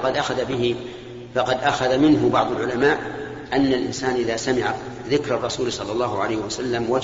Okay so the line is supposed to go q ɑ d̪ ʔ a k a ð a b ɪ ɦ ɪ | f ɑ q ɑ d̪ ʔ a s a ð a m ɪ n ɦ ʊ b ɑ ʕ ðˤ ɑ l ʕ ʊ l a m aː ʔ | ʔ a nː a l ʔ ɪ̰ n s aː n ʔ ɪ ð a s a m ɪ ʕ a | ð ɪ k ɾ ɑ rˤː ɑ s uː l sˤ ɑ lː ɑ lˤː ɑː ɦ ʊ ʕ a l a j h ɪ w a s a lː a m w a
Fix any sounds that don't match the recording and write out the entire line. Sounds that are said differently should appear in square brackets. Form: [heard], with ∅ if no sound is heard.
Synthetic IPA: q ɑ d̪ ʔ a [x] a ð a b ɪ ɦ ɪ | f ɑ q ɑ d̪ ʔ a [x] a ð a m ɪ n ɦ ʊ b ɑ ʕ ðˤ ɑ l ʕ ʊ l a m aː ʔ | ʔ a nː a l ʔ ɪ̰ n s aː n ʔ ɪ ð a s a m ɪ ʕ a | ð ɪ k ɾ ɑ rˤː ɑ s uː l sˤ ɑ lː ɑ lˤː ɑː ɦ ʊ ʕ a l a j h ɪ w a s a lː a m w a